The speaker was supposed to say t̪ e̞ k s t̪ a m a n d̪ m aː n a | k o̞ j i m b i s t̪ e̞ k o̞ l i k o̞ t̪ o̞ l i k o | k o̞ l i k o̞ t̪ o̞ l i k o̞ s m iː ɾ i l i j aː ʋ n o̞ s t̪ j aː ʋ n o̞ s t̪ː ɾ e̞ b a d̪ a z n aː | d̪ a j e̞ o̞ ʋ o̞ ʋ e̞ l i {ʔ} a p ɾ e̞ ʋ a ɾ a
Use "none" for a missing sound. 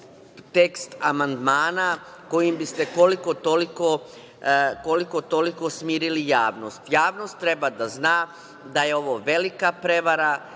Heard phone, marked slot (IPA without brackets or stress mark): k